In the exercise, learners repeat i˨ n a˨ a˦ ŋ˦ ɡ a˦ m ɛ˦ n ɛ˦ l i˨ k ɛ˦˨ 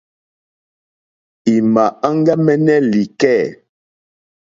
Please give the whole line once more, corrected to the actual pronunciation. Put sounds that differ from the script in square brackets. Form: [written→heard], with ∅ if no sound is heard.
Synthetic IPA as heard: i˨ [n→m] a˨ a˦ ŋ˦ ɡ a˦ m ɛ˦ n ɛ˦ l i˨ k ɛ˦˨